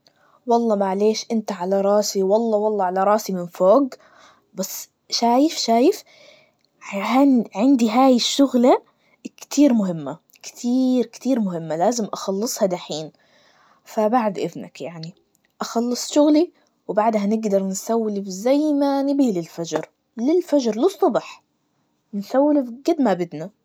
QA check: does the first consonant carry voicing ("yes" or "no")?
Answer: yes